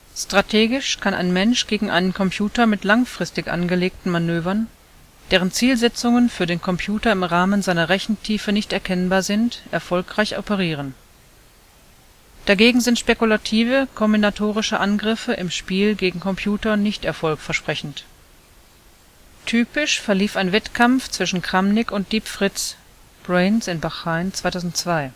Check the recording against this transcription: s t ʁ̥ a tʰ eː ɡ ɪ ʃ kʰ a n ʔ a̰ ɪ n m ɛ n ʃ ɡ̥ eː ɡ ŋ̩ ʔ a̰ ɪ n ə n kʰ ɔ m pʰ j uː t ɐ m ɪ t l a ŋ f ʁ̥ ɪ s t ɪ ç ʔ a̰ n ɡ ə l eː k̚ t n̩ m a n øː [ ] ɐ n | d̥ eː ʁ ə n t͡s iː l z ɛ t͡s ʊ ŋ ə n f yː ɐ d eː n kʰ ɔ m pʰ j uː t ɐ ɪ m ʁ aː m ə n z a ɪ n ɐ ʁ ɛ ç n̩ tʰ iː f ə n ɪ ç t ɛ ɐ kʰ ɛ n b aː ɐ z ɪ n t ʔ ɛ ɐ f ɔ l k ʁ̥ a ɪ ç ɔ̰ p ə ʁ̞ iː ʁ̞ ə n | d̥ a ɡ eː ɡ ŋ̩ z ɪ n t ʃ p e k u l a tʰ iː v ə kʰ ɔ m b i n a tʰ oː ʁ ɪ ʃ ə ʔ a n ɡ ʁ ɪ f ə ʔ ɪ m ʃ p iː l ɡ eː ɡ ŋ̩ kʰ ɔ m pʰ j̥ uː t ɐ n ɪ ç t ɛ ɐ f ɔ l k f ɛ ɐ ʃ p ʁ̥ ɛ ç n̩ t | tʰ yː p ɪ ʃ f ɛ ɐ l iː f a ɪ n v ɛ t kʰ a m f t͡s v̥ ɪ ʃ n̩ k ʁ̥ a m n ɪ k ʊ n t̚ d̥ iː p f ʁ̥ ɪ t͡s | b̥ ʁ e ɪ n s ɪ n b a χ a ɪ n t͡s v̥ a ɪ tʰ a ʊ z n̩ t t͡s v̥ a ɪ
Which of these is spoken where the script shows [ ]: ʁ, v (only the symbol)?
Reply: v